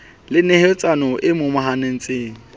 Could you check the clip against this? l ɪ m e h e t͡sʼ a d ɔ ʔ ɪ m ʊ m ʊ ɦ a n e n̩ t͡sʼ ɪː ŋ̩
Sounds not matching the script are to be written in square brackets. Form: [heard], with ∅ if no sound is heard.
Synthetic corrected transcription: l ɪ [n] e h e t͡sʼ a [n] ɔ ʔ ɪ m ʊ m ʊ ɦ a n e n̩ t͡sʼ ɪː ŋ̩